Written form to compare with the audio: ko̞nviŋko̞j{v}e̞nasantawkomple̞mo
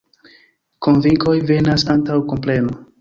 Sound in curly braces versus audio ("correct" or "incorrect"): correct